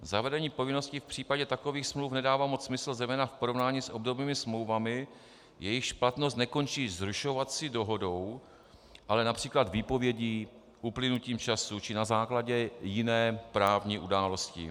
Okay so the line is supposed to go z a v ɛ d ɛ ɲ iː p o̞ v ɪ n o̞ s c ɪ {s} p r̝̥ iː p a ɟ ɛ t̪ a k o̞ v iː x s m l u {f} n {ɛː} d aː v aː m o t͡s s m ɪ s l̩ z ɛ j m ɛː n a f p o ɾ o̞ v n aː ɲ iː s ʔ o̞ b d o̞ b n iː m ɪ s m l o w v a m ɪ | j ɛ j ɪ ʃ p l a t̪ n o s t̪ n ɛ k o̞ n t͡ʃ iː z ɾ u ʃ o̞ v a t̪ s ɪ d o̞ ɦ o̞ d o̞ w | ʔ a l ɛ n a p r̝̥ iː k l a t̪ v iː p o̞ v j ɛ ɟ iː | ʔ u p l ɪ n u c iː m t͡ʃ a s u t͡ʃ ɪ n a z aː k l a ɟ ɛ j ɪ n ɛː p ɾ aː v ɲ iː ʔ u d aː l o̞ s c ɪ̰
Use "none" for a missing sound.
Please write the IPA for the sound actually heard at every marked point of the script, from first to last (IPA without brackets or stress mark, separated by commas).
f, f, ɛ